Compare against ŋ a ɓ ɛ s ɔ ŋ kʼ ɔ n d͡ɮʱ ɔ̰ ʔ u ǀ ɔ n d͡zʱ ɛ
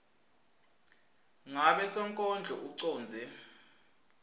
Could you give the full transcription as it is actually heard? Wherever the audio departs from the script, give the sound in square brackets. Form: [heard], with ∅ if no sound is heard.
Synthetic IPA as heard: ŋ a ɓ ɛ s ɔ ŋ kʼ ɔ n d͡ɮʱ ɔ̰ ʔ u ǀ [ɔː] n d͡zʱ ɛ